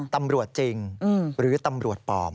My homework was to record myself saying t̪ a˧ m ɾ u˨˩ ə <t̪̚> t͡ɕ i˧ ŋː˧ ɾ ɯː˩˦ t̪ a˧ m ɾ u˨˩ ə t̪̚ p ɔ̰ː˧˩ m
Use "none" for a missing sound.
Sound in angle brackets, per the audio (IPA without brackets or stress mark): t̪̚